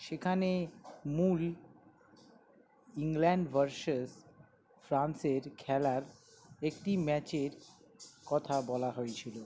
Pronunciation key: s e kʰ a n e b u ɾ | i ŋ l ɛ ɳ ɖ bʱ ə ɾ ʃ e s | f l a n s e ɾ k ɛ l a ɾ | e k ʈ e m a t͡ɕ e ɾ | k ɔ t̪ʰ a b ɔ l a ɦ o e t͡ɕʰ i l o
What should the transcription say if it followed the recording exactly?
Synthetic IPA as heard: ʃ e kʰ a n e m u l | i ŋ l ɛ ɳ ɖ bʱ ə ɾ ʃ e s | f ɾ a n s e ɾ kʰ ɛ l a ɾ | e k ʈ i m ɛ t͡ɕ e ɾ | k ɔ t̪ʰ a b ɔ l a ɦ o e t͡ɕʰ i l o